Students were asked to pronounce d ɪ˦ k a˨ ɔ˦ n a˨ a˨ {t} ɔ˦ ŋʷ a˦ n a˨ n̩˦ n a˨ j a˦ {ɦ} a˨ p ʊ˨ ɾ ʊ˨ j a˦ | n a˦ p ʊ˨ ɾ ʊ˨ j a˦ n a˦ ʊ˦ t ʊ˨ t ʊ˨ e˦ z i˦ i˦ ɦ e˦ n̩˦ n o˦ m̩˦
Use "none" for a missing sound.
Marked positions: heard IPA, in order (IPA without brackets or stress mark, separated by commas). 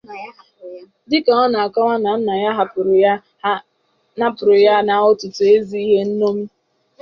k, ɦ